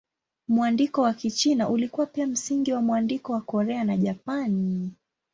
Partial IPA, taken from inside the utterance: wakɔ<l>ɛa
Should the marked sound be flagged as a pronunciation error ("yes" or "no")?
yes